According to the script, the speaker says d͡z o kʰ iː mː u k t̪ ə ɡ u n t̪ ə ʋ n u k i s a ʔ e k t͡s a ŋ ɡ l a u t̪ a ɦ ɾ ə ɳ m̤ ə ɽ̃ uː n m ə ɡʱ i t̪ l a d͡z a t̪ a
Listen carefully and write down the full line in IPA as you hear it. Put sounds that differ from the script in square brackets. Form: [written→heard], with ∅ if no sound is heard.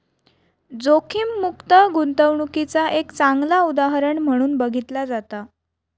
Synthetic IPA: d͡z o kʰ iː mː u k t̪ ə ɡ u n t̪ ə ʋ [n→ɳ] u k i [s→t͡s] a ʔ e k t͡s a ŋ ɡ l a u [t̪→d̪] a ɦ ɾ ə ɳ m̤ ə ɽ̃ uː n [m→b] ə ɡʱ i t̪ l a d͡z a t̪ a